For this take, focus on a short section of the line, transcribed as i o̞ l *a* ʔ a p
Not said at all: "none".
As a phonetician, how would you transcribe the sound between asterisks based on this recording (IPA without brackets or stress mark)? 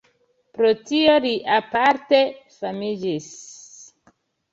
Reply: i